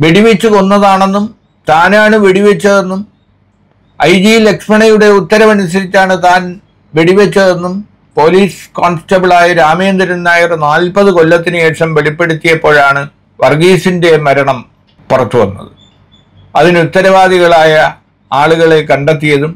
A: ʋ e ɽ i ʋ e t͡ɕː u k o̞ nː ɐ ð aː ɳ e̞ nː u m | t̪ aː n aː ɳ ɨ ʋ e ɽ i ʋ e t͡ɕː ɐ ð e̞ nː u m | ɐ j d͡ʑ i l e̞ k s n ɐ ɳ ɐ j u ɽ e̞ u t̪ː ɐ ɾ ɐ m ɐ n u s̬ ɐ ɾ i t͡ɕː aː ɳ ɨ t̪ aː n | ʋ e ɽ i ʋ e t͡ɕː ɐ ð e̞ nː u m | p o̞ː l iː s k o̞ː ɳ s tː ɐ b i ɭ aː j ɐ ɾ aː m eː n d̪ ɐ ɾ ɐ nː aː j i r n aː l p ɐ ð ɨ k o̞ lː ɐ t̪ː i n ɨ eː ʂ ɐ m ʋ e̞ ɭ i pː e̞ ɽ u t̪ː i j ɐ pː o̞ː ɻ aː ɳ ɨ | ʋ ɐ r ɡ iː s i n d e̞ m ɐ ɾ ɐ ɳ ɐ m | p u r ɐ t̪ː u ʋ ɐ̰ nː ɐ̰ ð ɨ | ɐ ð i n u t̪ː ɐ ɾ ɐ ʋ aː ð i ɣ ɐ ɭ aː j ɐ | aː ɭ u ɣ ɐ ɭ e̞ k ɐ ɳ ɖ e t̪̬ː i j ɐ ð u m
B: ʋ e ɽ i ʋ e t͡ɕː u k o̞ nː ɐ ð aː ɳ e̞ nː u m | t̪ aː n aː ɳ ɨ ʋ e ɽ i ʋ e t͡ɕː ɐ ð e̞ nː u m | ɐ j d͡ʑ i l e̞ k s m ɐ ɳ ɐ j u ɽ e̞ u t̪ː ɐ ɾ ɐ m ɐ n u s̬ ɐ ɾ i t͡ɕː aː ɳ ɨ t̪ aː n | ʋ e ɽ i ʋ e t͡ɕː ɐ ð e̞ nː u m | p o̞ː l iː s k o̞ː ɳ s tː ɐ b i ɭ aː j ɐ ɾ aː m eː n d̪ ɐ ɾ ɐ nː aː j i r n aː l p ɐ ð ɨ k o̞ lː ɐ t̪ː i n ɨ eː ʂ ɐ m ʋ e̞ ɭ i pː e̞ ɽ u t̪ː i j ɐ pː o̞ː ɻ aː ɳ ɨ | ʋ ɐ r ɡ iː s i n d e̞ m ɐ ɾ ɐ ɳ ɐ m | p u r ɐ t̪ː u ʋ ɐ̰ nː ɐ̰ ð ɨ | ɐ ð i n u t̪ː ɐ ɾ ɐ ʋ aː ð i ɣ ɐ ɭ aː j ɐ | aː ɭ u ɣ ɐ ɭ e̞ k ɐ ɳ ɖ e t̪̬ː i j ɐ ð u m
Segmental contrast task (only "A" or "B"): B